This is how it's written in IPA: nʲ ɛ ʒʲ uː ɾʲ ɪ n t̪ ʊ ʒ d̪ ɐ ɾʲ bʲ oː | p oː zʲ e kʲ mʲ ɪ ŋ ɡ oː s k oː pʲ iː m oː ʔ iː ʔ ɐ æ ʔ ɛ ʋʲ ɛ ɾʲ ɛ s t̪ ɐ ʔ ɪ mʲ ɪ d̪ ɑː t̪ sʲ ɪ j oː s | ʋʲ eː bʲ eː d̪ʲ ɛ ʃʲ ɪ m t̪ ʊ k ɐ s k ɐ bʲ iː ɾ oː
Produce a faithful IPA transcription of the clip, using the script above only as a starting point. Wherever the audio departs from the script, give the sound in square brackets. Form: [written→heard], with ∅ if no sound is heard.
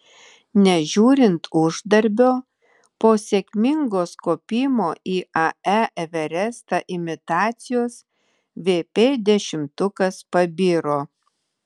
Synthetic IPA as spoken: nʲ ɛ ʒʲ uː ɾʲ ɪ n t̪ ʊ ʒ d̪ ɐ ɾʲ bʲ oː | p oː [zʲ→sʲ] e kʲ mʲ ɪ ŋ ɡ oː s k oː pʲ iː m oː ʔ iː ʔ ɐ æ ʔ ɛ ʋʲ ɛ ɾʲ ɛ s t̪ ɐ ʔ ɪ mʲ ɪ [d̪→t̪] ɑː t̪ sʲ ɪ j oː s | ʋʲ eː [bʲ→pʲ] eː d̪ʲ ɛ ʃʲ ɪ m t̪ ʊ k ɐ s [k→p] ɐ bʲ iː ɾ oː